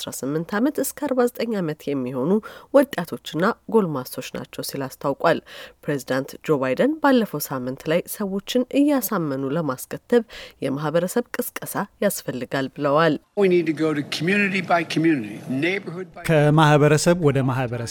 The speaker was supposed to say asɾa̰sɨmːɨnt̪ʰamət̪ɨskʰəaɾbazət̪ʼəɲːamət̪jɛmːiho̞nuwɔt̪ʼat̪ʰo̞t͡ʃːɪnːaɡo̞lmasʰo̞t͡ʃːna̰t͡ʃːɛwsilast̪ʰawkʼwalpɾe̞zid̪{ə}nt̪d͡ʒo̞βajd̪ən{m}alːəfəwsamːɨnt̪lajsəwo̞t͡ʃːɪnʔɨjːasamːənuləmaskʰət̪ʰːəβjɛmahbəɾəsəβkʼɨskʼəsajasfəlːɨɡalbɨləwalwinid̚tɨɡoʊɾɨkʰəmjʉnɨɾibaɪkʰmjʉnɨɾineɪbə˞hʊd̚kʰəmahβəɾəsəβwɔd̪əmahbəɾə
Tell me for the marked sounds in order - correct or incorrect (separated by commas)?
incorrect, incorrect